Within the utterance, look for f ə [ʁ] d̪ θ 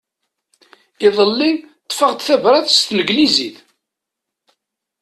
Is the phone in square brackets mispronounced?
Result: no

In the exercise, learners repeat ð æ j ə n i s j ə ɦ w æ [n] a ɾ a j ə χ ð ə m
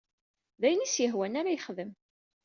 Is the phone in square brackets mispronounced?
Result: no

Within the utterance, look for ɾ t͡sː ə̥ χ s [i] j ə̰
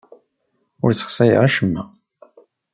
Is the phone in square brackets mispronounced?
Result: yes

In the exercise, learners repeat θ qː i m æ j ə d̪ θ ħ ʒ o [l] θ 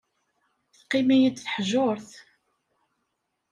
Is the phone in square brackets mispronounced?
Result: yes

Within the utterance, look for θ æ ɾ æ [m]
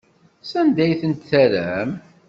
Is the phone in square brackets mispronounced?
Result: no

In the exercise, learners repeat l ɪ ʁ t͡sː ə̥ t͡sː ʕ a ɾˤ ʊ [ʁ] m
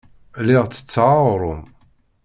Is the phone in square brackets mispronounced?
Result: yes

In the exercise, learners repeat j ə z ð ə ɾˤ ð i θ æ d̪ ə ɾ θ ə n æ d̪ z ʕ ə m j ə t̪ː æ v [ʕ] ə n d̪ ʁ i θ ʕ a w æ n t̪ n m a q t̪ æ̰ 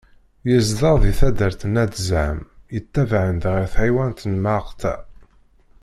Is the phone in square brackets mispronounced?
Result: no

